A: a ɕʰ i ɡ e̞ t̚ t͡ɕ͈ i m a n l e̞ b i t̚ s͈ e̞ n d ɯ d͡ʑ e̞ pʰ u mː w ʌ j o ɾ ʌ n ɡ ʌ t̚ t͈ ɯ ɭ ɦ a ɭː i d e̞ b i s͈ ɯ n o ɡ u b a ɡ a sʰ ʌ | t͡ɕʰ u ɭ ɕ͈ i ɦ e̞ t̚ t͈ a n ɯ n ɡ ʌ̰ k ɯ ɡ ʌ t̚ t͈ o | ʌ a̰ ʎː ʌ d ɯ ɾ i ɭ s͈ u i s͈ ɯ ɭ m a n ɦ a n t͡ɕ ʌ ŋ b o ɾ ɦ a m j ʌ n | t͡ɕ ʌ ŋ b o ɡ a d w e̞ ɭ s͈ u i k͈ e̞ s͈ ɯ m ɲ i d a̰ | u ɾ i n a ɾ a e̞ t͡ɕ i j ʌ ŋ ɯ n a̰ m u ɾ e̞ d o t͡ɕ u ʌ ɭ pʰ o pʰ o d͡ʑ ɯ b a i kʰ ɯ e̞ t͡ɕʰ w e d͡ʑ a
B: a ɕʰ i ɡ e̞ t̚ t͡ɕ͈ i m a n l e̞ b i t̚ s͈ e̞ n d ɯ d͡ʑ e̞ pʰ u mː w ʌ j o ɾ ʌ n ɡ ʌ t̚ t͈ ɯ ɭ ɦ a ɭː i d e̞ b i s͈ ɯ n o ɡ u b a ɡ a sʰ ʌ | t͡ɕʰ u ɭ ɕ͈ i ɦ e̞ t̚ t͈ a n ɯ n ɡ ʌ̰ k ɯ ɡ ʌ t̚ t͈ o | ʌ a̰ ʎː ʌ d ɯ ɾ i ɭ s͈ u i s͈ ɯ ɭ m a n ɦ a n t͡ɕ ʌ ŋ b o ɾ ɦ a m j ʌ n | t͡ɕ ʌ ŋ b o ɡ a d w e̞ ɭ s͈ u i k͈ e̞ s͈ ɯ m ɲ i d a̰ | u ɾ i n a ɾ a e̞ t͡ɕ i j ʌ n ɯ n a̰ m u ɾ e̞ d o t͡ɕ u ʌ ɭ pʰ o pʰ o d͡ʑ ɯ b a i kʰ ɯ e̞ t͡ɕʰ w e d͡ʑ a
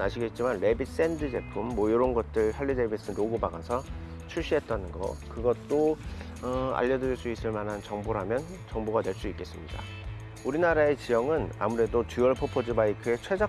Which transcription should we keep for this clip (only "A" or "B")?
A